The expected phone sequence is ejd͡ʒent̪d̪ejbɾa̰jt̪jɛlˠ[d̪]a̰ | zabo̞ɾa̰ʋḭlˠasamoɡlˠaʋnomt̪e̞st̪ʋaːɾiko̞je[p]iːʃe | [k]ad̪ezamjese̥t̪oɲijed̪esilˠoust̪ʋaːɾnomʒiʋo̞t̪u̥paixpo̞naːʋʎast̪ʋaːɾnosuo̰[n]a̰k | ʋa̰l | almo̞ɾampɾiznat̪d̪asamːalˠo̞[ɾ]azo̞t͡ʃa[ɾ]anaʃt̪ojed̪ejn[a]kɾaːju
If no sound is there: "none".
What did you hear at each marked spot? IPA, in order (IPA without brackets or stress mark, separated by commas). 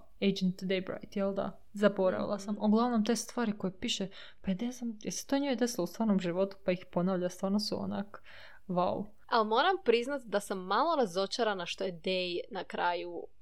d̪, p, p, n, ɾ, ɾ, a